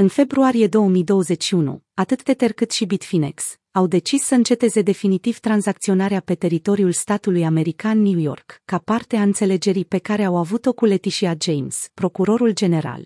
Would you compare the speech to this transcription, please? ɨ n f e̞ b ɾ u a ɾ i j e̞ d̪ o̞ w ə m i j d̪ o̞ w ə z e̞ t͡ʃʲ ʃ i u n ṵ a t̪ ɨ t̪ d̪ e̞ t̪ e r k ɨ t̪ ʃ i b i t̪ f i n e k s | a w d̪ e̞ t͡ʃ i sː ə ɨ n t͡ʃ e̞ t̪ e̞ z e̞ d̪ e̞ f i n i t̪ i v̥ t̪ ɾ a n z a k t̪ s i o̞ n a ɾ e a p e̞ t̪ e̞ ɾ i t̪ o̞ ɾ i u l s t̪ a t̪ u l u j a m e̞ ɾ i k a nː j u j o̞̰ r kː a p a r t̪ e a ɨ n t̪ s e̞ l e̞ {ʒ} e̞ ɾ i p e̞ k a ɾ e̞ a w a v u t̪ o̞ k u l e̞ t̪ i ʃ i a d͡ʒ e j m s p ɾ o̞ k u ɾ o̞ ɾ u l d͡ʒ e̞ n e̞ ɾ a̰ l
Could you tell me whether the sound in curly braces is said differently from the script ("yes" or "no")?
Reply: yes